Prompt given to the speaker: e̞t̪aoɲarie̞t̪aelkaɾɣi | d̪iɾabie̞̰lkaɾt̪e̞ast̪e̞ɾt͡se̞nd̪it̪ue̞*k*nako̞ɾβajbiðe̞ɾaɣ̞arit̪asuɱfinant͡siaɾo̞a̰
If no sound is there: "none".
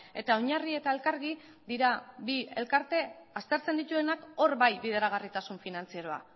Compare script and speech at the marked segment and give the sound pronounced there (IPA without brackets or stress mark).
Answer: none